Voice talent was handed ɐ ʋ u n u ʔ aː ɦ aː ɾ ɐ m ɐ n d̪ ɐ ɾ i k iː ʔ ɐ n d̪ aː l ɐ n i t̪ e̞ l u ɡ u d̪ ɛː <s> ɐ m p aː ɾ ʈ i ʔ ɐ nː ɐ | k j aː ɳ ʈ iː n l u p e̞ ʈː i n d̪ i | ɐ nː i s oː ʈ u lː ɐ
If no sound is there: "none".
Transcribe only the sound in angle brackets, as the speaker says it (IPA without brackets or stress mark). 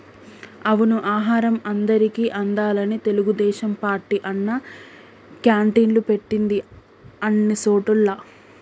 ʃ